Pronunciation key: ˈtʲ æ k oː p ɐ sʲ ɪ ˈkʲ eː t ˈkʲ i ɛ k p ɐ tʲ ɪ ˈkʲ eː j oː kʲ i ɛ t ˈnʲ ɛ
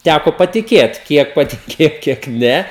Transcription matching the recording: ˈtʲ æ k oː p ɐ tʲ ɪ ˈkʲ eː t ˈkʲ i ɛ k p ɐ tʲ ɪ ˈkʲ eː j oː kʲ i ɛ k ˈnʲ ɛ